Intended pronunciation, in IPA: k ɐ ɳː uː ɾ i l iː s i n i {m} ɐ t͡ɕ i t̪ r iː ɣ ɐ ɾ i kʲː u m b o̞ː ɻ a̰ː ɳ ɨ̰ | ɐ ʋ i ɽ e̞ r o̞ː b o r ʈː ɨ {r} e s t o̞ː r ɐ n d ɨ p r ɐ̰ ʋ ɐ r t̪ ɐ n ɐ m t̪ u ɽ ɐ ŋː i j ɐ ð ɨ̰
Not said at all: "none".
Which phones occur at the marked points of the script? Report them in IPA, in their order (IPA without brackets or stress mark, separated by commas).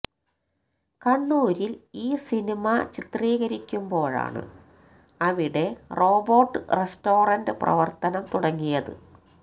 m, r